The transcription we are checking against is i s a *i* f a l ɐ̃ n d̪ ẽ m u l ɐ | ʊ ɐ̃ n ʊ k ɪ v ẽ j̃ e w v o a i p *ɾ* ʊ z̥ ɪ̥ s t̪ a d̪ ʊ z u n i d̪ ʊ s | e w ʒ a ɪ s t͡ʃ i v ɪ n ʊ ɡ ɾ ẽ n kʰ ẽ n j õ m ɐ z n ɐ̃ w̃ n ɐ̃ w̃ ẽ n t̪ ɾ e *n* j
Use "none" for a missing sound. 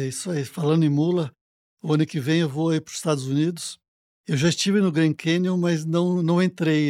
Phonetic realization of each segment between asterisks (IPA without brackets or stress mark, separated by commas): i, ɾ, none